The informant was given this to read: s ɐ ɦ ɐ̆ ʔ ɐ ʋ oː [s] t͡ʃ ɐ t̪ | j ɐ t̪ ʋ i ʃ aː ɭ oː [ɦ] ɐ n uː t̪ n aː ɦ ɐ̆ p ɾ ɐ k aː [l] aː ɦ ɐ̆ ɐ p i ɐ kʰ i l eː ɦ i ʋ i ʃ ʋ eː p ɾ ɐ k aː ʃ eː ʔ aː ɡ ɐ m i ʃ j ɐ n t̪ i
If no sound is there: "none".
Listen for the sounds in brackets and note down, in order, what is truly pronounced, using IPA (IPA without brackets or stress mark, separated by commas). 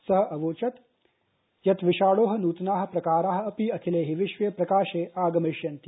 none, ɦ, ɾ